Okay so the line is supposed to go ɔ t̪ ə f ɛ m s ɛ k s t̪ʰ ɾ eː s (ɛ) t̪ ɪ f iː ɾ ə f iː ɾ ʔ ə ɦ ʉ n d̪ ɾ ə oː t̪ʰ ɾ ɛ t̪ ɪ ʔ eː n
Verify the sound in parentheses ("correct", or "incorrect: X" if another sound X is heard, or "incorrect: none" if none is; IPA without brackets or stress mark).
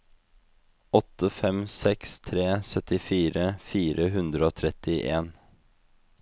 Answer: incorrect: œ